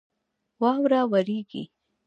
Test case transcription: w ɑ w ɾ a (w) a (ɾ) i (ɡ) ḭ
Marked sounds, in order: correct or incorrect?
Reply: correct, correct, correct

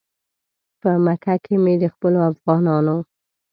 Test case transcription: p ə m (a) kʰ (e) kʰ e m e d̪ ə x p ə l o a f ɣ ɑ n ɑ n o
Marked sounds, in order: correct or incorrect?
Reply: correct, incorrect: a

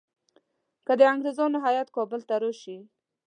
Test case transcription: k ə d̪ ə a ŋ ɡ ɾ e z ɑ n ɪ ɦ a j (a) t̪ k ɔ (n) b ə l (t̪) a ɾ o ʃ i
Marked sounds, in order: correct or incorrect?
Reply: correct, incorrect: none, correct

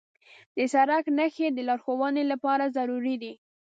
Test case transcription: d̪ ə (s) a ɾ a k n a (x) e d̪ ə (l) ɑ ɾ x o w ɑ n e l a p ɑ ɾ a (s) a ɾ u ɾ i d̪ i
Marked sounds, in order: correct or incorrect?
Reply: correct, correct, correct, incorrect: z

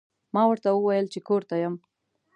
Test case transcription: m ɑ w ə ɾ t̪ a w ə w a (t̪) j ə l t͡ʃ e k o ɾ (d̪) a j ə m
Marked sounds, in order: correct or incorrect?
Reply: incorrect: none, incorrect: t̪

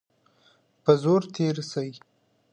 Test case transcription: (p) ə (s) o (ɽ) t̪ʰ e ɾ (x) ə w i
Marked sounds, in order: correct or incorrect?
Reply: correct, incorrect: z, incorrect: ɾ, incorrect: s

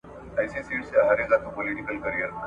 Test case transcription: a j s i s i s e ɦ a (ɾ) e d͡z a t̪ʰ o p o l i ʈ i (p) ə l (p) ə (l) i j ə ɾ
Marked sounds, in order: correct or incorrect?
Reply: correct, incorrect: k, incorrect: k, incorrect: ɾ

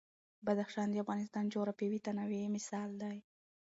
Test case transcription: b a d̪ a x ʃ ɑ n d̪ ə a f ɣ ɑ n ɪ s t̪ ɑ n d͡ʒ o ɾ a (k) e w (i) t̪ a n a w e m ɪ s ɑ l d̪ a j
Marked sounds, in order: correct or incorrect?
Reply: incorrect: p, correct

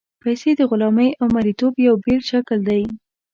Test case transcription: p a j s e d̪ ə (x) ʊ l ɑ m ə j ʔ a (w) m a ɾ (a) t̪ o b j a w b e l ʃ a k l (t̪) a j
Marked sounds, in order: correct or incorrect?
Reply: incorrect: ɣ, correct, incorrect: i, incorrect: d̪

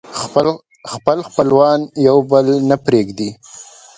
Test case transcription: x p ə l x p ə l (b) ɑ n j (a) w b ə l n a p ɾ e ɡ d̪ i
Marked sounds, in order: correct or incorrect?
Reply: incorrect: w, correct

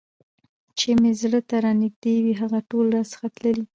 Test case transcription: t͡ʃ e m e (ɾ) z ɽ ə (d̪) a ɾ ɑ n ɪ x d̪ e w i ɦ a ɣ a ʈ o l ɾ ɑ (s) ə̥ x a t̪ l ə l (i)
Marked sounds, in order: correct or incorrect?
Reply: incorrect: none, incorrect: t̪, correct, correct

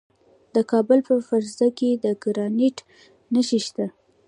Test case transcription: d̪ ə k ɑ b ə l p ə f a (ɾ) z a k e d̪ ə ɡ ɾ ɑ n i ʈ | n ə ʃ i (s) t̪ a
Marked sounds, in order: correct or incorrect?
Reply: correct, incorrect: ʃ

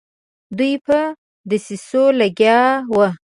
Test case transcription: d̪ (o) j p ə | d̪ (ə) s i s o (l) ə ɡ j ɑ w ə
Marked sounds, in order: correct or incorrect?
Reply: incorrect: u, correct, correct

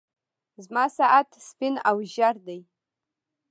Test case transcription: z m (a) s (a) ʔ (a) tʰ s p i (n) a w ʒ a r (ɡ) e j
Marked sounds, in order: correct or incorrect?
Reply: correct, correct, correct, correct, incorrect: d

